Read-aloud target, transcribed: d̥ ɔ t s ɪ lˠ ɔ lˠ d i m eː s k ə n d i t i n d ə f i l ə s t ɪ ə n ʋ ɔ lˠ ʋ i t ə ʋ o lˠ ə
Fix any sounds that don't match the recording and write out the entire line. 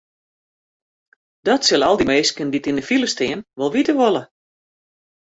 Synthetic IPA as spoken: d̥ ɔ t s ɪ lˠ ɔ lˠ d i m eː s k ə n d i t i n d ə f i l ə s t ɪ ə n ʋ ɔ lˠ ʋ i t ə ʋ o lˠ ə